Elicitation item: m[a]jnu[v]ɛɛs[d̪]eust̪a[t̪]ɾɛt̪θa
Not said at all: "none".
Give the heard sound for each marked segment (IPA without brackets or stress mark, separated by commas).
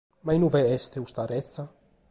a, v, t̪, none